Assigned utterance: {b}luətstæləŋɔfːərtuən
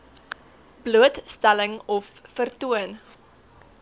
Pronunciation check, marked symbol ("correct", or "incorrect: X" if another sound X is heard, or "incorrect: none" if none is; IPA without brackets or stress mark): correct